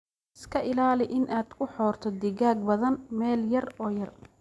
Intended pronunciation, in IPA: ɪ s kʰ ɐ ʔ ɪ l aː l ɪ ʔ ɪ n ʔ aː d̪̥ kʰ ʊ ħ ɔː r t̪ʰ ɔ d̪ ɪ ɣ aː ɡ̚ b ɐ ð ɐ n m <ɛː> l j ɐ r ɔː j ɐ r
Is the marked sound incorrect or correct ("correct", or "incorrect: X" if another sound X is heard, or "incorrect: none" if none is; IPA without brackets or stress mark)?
correct